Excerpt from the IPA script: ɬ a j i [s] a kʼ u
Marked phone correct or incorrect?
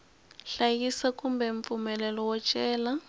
correct